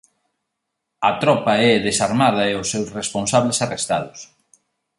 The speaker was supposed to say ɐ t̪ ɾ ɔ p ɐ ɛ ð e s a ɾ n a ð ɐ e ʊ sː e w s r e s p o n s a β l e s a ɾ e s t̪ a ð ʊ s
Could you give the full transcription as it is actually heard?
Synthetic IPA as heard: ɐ t̪ ɾ ɔ p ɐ ɛ ð e s a ɾ m a ð ɐ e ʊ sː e w s r e s p o n s a β l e s a r e s t̪ a ð ʊ s